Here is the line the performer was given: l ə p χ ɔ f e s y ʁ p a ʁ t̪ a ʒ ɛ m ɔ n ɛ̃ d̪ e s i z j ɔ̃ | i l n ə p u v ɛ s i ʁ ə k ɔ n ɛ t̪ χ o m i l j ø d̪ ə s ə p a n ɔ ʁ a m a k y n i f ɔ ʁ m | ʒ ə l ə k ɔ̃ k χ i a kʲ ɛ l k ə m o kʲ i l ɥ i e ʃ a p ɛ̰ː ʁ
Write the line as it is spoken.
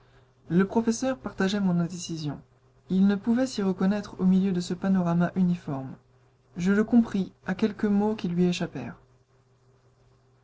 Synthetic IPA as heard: l ə p χ ɔ f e s œ ʁ p a ʁ t̪ a ʒ ɛ m ɔ̃ n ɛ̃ d̪ e s i z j ɔ̃ | i l n ə p u v ɛ s i ʁ ə k ɔ n ɛ t̪ χ o m i l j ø d̪ ə s ə p a n ɔ ʁ a m a ʔ y n i f ɔ ʁ m | ʒ ə l ə k ɔ̃ p χ i a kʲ ɛ l k ə m o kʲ i l ɥ i e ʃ a p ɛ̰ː ʁ